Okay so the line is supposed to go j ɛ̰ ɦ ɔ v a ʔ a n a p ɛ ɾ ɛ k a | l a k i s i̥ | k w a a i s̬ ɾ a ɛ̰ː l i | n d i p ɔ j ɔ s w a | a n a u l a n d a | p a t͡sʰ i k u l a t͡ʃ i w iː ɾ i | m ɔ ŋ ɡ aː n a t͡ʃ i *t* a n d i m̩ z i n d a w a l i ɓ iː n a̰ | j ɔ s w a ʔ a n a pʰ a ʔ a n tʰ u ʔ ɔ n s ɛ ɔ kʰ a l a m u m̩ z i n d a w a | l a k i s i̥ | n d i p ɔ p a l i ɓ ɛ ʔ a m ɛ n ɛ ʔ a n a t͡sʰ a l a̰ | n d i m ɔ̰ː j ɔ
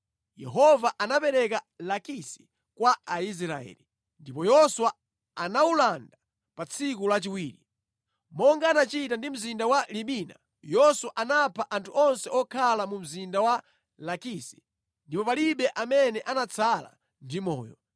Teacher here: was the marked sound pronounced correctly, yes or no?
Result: yes